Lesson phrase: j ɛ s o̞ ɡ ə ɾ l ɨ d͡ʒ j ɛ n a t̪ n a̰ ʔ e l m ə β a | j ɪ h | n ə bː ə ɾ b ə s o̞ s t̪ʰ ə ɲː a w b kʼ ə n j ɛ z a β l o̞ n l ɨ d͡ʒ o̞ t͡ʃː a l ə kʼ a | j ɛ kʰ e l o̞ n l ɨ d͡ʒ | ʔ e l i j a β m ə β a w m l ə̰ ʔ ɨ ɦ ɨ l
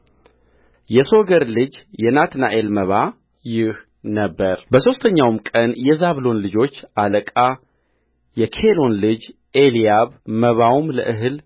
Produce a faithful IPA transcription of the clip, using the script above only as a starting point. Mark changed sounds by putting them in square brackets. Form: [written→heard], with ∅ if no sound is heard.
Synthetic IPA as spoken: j ɛ s o̞ ɡ ə ɾ l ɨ d͡ʒ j ɛ n a t̪ n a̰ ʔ e l m ə β a | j ɪ h | n ə bː ə ɾ b ə s o̞ s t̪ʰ ə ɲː a w [b→m] kʼ ə n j ɛ z a β l o̞ n l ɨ d͡ʒ o̞ t͡ʃː a l ə kʼ a | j ɛ kʰ e l o̞ n l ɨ d͡ʒ | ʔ e l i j a β m ə β a w m l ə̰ ʔ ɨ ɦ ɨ l